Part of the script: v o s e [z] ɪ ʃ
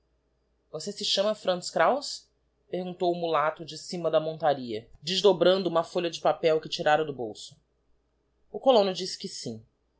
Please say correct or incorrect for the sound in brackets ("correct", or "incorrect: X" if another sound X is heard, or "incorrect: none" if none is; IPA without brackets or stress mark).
incorrect: s